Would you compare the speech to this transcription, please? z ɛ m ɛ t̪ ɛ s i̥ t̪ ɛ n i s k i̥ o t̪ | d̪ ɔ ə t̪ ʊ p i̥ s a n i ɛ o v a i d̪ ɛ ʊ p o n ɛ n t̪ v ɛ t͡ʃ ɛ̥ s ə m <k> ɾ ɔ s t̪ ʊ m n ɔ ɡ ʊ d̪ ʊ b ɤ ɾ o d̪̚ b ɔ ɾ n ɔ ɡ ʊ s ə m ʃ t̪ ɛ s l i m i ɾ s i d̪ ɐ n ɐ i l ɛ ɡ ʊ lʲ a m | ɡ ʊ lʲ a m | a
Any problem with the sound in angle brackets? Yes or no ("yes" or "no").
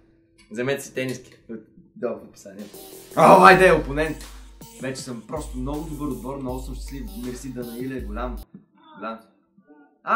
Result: yes